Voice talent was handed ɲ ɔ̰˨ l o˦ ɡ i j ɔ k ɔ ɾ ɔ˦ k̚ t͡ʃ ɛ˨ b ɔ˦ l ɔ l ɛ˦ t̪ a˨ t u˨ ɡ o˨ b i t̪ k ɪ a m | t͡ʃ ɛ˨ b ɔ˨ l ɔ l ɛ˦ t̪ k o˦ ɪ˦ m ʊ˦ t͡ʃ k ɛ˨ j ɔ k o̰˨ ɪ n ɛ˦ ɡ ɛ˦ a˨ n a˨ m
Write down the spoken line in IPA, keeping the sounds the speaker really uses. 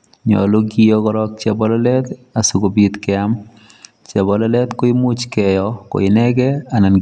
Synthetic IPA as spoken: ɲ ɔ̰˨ l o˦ ɡ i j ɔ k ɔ ɾ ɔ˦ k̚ t͡ʃ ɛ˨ b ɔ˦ l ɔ l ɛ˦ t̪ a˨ s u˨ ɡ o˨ b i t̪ k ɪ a m | t͡ʃ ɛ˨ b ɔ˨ l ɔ l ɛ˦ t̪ k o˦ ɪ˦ m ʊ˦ t͡ʃ k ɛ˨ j ɔ k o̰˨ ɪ n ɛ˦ ɡ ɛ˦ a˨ n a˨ n